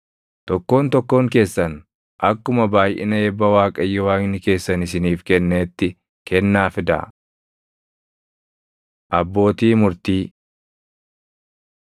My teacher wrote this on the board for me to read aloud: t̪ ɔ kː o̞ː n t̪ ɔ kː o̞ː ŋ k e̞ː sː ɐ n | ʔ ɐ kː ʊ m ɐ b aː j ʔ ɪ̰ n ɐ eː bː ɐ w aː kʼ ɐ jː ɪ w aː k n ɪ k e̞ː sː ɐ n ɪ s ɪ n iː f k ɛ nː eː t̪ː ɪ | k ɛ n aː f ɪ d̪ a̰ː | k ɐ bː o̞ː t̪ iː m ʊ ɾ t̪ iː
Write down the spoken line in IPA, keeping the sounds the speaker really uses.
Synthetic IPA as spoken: t̪ ɔ kː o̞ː n t̪ ɔ kː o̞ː ŋ k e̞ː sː ɐ n | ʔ ɐ kː ʊ m ɐ b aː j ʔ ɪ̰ n ɐ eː bː ɐ w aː kʼ ɐ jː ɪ w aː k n ɪ k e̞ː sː ɐ n ɪ s ɪ n iː f k ɛ nː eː t̪ː ɪ | k ɛ nː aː f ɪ d̪ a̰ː | ʔ ɐ bː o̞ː t̪ iː m ʊ ɾ t̪ iː